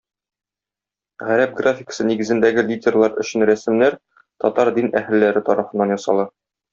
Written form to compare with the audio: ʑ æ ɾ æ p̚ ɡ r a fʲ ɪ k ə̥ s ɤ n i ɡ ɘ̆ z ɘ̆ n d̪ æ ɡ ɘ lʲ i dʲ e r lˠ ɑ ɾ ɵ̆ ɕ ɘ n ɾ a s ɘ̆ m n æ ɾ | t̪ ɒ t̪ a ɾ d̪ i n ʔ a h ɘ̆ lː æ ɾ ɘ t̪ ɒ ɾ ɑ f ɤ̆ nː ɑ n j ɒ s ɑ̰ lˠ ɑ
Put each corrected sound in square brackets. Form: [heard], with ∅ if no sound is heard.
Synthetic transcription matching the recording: [ʁ] æ ɾ æ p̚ ɡ r a fʲ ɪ k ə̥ s ɤ n i ɡ ɘ̆ z ɘ̆ n d̪ æ ɡ ɘ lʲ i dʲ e r lˠ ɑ ɾ ɵ̆ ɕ ɘ n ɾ [æ] s ɘ̆ m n æ ɾ | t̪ ɒ t̪ [ɑ] ɾ d̪ i n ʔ [æ] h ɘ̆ lː æ ɾ ɘ t̪ ɒ ɾ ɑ f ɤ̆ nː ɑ n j ɒ s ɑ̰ lˠ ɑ